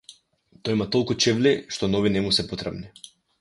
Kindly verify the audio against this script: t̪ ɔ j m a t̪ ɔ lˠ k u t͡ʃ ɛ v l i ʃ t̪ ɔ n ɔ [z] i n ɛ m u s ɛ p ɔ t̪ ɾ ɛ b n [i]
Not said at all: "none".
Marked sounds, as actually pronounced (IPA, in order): v, i

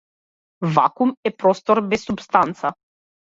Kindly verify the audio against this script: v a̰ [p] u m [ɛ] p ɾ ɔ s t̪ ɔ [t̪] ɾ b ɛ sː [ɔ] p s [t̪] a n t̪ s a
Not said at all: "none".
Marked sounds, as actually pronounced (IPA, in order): k, ɛ, none, u, t̪

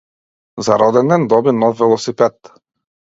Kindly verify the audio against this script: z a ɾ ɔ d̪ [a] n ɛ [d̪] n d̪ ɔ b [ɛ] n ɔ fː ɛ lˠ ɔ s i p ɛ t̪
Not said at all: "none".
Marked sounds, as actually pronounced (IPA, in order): ɛ, none, i

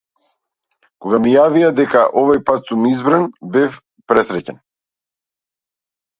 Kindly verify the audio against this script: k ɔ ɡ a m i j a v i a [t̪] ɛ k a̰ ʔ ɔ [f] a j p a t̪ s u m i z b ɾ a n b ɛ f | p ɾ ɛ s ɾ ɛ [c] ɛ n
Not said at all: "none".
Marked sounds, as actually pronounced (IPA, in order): d̪, v, c

